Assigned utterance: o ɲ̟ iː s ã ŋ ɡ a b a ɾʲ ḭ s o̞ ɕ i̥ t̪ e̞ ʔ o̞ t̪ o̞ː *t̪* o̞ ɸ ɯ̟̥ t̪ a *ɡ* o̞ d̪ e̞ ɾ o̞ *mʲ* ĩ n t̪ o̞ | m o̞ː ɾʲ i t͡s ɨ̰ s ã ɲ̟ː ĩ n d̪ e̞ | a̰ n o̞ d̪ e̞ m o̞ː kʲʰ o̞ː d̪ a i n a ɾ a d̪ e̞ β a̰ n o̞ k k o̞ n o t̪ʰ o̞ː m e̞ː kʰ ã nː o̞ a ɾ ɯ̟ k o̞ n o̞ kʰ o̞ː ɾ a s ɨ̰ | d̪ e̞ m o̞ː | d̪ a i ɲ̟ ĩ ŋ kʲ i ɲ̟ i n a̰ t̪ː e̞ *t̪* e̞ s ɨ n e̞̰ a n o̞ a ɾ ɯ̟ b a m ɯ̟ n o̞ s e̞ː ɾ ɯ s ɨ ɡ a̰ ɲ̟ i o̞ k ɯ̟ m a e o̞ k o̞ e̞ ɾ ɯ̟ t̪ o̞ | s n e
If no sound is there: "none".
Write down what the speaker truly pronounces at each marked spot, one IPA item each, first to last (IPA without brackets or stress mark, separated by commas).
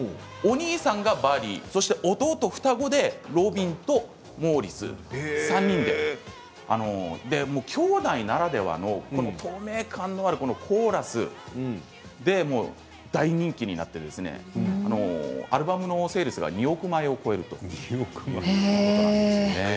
t̪, ɡ, bʲ, d̪